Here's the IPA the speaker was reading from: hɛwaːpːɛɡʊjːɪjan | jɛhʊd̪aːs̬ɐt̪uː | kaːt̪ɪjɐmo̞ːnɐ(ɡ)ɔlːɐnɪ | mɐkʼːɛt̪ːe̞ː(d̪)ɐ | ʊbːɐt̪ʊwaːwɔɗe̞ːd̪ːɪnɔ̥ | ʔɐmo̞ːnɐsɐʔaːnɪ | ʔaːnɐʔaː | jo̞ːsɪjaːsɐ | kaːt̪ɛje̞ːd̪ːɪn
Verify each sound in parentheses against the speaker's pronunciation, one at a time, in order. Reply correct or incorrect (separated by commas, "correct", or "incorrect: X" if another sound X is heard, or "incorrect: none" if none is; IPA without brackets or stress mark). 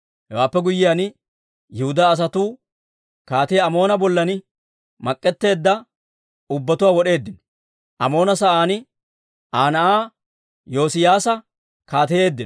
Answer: incorrect: b, incorrect: d̪ː